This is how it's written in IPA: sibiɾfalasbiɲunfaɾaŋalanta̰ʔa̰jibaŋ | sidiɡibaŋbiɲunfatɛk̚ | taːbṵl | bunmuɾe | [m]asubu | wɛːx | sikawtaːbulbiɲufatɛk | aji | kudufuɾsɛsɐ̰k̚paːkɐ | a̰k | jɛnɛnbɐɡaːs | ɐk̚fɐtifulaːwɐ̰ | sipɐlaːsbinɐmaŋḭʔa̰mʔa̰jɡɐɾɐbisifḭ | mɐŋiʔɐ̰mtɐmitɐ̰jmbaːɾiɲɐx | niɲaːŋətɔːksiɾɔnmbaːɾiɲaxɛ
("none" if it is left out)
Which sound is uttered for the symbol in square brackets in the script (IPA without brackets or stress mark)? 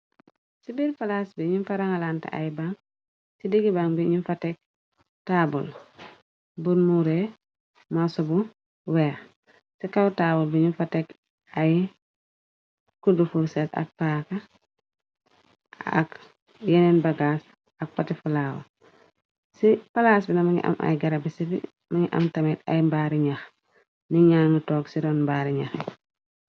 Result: m